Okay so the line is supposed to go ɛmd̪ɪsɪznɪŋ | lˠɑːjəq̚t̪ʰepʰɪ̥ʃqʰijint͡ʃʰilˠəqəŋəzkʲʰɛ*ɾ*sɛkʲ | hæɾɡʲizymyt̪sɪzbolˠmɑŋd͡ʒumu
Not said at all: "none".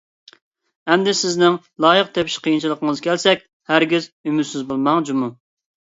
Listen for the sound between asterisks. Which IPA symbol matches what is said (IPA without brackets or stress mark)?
l